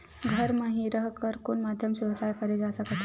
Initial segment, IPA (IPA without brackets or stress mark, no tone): ɡʱ